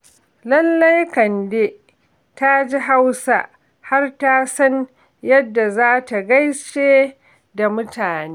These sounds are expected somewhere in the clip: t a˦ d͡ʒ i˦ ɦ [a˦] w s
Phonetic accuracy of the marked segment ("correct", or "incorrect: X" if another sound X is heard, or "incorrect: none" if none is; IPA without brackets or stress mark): correct